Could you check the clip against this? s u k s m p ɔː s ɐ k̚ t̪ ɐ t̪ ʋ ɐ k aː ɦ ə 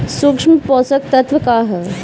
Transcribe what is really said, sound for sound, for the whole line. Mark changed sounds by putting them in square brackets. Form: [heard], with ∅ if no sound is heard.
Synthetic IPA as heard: s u k [ʂ] m p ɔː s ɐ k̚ t̪ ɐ t̪ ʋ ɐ k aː ɦ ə